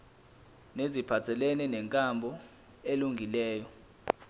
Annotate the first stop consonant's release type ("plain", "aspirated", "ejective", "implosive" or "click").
aspirated